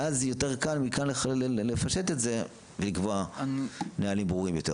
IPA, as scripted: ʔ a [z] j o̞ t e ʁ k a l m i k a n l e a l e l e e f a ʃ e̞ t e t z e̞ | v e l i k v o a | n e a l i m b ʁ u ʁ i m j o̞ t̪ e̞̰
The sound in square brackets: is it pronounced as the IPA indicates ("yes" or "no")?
yes